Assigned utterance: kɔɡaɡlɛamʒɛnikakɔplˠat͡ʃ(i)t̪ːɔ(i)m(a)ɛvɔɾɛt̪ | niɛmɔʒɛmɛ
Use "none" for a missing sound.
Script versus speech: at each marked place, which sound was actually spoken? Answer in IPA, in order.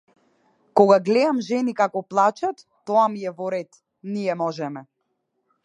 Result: a, a, i

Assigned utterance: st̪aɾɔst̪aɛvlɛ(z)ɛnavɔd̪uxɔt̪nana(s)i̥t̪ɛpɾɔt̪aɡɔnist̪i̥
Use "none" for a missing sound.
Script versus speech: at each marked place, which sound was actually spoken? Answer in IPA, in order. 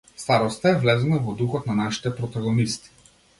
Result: z, ʃ

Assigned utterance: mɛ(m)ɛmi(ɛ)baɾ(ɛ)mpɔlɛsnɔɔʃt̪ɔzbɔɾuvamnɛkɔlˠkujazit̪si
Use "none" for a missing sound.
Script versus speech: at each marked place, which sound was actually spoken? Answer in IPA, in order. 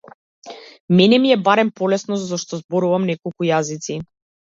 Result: n, ɛ, ɛ

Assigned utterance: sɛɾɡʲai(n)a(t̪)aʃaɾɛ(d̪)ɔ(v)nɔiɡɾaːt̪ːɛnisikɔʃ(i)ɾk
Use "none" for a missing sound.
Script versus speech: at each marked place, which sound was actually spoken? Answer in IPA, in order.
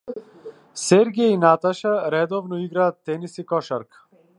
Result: n, t̪, d̪, v, a

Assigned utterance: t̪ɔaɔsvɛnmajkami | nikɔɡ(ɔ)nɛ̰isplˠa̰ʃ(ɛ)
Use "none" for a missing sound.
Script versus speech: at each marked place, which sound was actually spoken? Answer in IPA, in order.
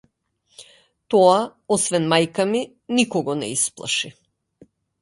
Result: ɔ, i

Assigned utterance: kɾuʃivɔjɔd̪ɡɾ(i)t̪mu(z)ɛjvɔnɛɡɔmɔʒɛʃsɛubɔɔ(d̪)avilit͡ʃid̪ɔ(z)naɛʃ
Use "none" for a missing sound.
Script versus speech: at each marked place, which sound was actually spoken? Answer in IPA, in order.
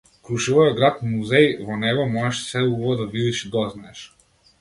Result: a, z, d̪, z

